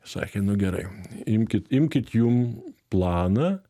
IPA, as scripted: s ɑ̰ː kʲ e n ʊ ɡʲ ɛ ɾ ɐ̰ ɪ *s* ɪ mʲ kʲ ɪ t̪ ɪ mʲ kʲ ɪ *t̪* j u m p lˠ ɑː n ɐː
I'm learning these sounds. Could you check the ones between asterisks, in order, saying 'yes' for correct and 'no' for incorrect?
no, yes

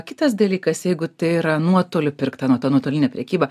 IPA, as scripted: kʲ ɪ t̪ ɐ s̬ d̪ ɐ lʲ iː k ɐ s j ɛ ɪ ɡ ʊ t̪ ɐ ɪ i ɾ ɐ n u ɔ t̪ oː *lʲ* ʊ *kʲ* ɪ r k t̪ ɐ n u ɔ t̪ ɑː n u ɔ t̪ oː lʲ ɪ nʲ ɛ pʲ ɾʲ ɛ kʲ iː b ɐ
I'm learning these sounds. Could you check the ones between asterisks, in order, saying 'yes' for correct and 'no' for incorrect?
yes, no

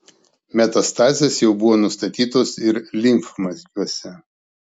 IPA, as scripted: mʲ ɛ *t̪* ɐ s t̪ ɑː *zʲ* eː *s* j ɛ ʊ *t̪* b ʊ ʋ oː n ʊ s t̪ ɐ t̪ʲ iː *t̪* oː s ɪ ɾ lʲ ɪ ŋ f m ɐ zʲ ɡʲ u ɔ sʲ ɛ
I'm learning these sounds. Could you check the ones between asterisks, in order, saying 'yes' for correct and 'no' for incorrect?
yes, yes, yes, no, yes

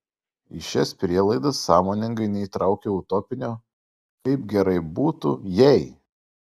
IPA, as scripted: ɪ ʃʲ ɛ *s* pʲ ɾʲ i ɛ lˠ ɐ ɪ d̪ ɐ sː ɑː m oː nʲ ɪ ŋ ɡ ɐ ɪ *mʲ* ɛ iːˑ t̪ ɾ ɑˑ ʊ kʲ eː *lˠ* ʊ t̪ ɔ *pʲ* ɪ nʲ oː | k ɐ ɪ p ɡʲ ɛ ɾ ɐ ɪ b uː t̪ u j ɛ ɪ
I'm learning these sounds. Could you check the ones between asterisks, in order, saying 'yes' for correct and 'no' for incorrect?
yes, no, no, yes

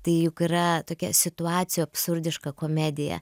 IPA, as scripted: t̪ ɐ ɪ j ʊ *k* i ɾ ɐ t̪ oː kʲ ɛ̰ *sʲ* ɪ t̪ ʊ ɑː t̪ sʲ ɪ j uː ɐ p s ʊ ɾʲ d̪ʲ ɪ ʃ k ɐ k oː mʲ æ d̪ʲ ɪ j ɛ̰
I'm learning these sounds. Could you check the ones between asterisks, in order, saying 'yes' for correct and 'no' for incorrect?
yes, yes

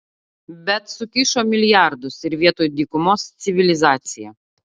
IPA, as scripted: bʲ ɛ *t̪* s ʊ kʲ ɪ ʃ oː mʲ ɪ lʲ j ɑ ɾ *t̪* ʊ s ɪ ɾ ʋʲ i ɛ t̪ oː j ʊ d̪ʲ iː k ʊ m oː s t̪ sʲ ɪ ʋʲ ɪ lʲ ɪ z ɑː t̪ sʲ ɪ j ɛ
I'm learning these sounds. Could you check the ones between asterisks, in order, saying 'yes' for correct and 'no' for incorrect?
yes, no

